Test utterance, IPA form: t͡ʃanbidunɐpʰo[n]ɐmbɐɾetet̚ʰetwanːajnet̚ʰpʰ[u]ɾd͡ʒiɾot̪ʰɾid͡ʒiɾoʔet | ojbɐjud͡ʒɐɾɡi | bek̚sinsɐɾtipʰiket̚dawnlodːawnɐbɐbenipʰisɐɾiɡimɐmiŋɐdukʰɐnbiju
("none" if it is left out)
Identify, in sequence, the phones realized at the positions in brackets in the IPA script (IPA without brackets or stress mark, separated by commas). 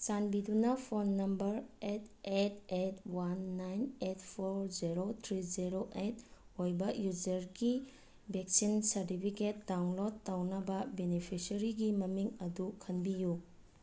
nː, o